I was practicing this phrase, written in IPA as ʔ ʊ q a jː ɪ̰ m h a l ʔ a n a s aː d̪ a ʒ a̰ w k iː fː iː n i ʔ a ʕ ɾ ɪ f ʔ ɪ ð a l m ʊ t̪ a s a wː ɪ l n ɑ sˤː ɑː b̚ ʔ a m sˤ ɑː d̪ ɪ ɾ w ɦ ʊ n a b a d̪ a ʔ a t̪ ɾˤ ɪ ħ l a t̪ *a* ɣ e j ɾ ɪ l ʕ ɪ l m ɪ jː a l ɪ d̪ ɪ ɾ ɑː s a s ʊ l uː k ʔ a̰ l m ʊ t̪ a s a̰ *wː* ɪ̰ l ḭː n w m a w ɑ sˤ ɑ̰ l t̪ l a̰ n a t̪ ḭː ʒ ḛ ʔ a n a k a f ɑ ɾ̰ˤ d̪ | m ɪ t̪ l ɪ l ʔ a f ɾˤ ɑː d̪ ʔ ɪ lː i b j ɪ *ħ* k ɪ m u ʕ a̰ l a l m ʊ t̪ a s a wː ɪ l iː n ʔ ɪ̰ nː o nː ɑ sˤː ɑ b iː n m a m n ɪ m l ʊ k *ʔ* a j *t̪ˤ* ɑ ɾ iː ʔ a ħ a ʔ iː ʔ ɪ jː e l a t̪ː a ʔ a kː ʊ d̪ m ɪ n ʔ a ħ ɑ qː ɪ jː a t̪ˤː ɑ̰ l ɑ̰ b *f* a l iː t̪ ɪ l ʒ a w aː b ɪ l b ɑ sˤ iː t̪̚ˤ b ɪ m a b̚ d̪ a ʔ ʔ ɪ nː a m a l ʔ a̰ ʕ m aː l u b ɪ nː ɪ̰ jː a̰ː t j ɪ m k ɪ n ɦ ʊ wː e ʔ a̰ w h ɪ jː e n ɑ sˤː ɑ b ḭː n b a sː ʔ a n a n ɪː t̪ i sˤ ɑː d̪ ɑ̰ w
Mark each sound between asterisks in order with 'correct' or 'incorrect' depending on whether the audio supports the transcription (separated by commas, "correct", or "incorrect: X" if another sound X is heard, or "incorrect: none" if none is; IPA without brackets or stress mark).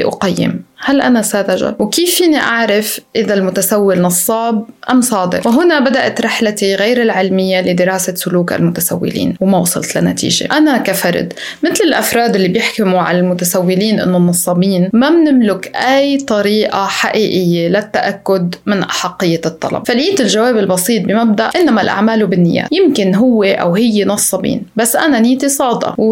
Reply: incorrect: i, correct, correct, correct, correct, correct